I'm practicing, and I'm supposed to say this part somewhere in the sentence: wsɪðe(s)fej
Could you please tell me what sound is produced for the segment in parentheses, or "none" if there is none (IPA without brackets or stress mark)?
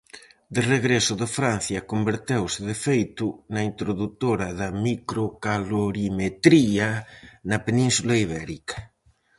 none